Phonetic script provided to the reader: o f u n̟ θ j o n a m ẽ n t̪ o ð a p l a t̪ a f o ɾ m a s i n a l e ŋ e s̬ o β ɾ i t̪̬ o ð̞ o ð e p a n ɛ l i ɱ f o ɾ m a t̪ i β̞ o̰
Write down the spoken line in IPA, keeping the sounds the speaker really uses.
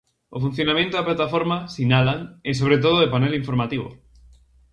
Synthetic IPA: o f u n̟ θ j o n a m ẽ n t̪ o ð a p l a t̪ a f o ɾ m a s i n a l a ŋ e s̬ o β ɾ e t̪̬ o ð̞ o ð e p a n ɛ l i ɱ f o ɾ m a t̪ i β̞ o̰